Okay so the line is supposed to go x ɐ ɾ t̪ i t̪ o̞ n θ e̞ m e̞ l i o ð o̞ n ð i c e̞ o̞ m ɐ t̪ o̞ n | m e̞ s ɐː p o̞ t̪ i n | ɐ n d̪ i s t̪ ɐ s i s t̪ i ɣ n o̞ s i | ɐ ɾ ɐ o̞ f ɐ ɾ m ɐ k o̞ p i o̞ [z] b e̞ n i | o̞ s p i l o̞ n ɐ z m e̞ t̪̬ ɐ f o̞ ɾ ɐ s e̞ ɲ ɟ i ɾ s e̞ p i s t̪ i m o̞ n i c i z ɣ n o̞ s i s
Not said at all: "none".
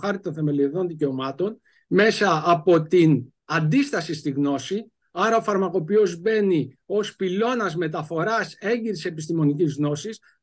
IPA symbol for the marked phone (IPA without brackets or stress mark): z